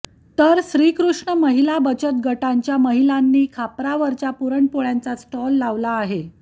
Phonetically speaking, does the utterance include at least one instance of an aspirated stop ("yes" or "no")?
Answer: yes